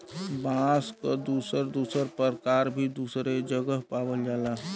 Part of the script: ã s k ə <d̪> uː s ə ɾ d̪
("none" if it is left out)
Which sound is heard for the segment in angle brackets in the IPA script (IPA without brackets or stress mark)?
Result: d̪